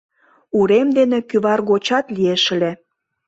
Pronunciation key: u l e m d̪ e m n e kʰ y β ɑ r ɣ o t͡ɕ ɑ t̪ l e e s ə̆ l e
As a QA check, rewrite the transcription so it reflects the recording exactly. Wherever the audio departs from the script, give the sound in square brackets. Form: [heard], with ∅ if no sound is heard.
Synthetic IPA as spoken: u [ɾ] e m d̪ e [∅] n e [k] y β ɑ r ɣ o t͡ɕ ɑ t̪ l [i] e [ʃ] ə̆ l e

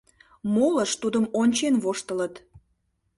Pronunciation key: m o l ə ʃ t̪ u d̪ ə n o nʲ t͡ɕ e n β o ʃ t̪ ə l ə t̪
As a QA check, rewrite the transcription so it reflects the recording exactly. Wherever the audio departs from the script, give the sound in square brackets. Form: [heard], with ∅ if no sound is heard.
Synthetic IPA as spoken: m o l ə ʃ t̪ u d̪ ə [m] o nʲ t͡ɕ e n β o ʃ t̪ ə l ə t̪

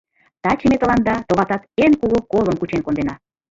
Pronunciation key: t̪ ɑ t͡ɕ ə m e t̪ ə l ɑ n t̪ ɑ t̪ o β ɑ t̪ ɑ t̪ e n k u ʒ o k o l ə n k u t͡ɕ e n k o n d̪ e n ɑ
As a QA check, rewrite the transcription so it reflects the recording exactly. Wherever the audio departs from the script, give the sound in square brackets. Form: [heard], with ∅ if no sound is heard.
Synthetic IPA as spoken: t̪ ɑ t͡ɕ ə m e t̪ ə l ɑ n [d̪] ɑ t̪ o β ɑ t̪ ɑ t̪ e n k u [ɣ] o k o l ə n k u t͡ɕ e n k o n d̪ e n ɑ

